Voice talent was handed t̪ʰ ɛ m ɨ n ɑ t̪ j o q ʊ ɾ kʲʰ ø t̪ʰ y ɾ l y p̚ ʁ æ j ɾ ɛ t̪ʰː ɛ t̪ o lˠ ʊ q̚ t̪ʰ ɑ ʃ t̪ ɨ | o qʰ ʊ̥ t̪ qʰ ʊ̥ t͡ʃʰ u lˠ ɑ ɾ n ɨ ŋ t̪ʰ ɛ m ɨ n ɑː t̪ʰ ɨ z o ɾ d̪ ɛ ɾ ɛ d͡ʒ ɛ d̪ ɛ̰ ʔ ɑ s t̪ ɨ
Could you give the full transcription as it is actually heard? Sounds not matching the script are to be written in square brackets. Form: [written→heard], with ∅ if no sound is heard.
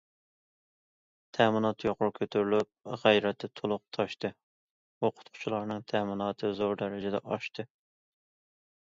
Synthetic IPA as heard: t̪ʰ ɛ m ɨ n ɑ t̪ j o q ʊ ɾ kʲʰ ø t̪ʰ y ɾ l y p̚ ʁ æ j ɾ ɛ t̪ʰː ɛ [t̪→t̪ʰ] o lˠ ʊ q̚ t̪ʰ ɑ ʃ t̪ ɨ | o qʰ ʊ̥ t̪ qʰ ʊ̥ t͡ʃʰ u lˠ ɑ ɾ n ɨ ŋ t̪ʰ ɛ m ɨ n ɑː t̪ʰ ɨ z o ɾ d̪ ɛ ɾ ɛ d͡ʒ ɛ d̪ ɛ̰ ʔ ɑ [s→ʃ] t̪ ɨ